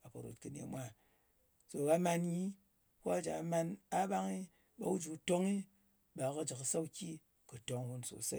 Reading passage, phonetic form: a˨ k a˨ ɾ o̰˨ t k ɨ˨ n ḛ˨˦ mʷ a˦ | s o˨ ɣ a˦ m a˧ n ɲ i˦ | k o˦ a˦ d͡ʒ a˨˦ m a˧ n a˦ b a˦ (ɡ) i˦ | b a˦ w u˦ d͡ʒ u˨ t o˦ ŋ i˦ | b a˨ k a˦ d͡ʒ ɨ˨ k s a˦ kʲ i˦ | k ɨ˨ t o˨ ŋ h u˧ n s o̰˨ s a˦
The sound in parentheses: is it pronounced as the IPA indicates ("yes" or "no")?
no